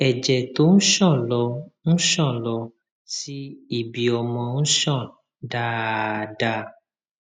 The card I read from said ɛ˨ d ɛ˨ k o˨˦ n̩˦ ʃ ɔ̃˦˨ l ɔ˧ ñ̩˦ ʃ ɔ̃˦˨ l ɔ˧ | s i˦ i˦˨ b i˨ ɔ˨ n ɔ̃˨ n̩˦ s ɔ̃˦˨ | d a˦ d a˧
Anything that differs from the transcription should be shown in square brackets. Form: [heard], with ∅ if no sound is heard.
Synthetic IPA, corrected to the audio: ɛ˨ [d͡ʒ] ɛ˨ [t] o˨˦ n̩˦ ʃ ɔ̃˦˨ l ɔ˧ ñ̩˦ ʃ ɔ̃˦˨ l ɔ˧ | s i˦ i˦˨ b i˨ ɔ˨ [m] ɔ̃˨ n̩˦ [ʃ] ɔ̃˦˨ | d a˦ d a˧

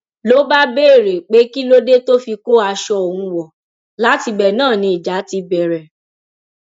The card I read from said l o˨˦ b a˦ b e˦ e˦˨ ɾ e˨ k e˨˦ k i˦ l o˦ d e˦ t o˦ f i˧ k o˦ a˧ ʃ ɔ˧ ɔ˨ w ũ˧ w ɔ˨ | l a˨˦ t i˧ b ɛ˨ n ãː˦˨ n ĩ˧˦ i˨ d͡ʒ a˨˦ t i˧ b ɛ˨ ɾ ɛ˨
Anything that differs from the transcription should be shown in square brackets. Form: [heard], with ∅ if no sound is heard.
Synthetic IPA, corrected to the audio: l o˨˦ b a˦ b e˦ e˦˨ ɾ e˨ [k͡p] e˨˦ k i˦ l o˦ d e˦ t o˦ f i˧ k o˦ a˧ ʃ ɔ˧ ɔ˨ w ũ˧ w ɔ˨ | l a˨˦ t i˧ b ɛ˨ n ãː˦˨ n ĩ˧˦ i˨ d͡ʒ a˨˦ t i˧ b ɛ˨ ɾ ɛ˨

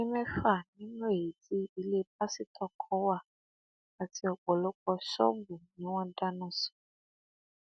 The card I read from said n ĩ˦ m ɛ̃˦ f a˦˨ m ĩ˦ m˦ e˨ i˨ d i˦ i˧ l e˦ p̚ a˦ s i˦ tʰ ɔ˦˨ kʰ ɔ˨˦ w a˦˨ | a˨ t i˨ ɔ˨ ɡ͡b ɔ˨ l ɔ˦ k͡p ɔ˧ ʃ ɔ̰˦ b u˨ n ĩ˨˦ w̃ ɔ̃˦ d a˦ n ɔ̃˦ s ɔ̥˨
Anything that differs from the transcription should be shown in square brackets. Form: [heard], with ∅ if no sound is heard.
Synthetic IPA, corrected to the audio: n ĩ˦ m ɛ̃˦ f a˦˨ [n] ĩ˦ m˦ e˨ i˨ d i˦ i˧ l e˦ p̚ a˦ s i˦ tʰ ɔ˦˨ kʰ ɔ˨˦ w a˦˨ | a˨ t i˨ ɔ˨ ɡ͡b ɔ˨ l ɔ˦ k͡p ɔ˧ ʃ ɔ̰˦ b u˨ n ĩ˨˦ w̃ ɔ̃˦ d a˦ n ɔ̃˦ s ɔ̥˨

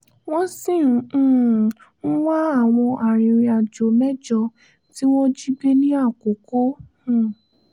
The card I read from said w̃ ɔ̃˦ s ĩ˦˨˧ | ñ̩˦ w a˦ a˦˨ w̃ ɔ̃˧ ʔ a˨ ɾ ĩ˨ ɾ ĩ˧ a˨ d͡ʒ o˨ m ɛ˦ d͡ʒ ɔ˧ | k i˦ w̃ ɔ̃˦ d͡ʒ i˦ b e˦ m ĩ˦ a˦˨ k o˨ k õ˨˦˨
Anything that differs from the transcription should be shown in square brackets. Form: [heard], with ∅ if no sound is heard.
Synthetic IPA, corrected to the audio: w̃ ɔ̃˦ s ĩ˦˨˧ | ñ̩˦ w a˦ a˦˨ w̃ ɔ̃˧ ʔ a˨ ɾ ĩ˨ ɾ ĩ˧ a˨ d͡ʒ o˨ m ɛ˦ d͡ʒ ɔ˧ | [t] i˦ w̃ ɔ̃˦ d͡ʒ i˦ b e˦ [n] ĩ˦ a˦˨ k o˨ k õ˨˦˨

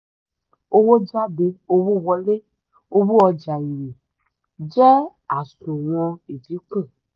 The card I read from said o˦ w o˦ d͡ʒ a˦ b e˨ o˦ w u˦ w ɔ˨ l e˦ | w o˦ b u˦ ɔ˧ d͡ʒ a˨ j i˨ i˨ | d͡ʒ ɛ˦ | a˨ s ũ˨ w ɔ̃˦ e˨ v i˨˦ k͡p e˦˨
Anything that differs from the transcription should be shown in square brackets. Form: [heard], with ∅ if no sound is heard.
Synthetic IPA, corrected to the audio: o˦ w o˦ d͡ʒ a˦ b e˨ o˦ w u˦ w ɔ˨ l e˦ | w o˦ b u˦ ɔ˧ d͡ʒ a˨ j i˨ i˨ | d͡ʒ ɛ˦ | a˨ s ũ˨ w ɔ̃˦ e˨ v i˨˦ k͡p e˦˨

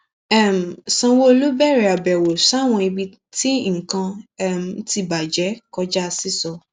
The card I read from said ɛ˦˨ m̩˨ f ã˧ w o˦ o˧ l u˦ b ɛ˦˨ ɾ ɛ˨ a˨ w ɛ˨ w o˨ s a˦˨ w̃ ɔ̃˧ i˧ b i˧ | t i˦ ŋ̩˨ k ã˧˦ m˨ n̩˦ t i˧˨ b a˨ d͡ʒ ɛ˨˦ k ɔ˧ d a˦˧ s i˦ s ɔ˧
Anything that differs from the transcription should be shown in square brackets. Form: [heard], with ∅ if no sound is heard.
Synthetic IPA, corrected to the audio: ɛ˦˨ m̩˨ [s] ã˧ w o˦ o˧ l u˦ b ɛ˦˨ ɾ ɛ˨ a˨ [b] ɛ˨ w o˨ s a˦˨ w̃ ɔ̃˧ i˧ b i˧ | t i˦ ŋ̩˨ k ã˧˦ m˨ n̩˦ t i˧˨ b a˨ d͡ʒ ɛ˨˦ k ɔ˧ [d͡ʒ] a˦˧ s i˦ s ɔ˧

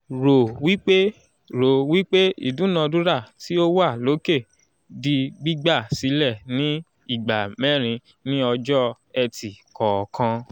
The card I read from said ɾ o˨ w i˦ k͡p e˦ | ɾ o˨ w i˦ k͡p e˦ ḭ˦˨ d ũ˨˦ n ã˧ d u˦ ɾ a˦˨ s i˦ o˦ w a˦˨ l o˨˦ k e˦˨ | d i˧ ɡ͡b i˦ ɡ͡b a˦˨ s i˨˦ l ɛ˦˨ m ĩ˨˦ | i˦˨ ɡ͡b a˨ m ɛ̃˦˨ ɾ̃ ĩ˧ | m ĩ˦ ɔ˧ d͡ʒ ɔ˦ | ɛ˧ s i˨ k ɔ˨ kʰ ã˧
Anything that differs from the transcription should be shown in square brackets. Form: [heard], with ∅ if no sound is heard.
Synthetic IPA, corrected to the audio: ɾ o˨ w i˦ k͡p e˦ | ɾ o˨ w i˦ k͡p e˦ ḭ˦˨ d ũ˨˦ n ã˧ d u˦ ɾ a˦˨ [t] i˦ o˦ w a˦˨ l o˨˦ k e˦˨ | d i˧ ɡ͡b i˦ ɡ͡b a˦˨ s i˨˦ l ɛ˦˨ [n] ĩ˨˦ | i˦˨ ɡ͡b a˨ m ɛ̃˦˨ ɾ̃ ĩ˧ | [n] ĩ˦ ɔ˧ d͡ʒ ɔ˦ | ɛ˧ [t] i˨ k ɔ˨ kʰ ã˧

